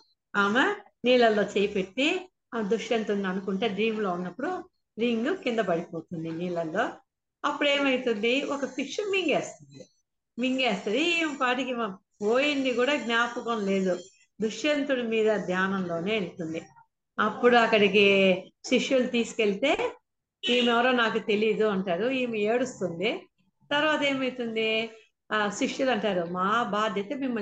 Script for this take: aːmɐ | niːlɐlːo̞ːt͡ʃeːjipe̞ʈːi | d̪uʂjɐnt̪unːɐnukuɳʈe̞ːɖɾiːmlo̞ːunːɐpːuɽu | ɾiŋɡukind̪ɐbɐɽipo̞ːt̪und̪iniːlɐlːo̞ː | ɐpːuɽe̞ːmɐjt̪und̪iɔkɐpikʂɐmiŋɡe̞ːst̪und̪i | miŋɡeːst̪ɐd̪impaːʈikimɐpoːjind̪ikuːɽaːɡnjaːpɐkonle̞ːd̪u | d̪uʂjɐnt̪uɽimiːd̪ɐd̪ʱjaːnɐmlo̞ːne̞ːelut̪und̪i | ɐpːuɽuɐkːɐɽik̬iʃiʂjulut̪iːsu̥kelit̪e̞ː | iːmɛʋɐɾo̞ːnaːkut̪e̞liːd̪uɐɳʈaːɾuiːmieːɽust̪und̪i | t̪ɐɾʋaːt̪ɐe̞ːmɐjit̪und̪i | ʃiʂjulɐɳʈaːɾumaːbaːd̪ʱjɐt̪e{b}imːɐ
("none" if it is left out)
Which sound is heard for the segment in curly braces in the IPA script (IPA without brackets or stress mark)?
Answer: m